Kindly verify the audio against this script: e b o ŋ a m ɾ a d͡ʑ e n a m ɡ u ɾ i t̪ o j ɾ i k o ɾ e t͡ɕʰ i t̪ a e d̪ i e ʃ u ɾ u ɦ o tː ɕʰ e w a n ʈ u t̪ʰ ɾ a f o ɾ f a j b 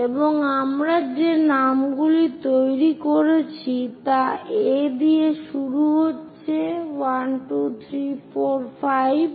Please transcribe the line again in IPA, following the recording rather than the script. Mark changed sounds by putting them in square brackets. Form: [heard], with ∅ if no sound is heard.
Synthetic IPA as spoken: e b o ŋ a m ɾ a d͡ʑ e n a m ɡ u [l] i t̪ o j ɾ i k o ɾ e t͡ɕʰ i t̪ a e d̪ i e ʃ u ɾ u ɦ o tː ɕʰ e w a n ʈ u t̪ʰ ɾ [i] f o ɾ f a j b